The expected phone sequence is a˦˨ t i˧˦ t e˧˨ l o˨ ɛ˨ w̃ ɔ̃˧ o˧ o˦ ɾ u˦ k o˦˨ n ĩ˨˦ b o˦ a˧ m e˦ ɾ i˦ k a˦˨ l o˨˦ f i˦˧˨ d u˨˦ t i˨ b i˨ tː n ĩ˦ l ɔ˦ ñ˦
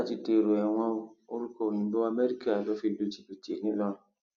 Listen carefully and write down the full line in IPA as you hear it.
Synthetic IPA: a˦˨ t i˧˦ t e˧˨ ɾ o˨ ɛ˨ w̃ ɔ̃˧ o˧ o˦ ɾ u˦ k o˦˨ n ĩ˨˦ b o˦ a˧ m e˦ ɾ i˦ k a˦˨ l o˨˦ f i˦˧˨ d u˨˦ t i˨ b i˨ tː n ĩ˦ l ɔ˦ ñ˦